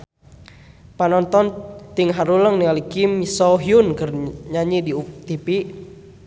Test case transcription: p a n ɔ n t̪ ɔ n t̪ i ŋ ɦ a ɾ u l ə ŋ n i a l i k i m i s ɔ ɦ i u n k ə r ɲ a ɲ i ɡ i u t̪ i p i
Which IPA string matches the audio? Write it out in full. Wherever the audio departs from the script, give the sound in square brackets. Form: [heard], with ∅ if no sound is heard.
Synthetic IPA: p a n ɔ n t̪ ɔ n t̪ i ŋ ɦ a ɾ u l ə ŋ n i a l i k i m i s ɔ ɦ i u n k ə r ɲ a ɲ i [d] i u t̪ i p i